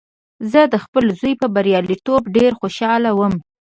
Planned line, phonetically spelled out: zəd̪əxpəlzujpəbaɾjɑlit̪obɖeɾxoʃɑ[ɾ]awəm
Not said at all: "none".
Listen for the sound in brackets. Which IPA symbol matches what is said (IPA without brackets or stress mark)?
l